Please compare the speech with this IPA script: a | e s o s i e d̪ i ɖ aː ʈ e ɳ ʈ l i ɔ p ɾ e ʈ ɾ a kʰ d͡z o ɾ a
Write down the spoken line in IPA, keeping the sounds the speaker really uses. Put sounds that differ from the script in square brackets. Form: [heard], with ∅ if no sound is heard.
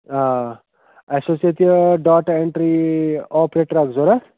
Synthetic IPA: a | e s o s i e [t̪] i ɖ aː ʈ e ɳ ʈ [ɾ] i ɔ p ɾ e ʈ ɾ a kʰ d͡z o ɾ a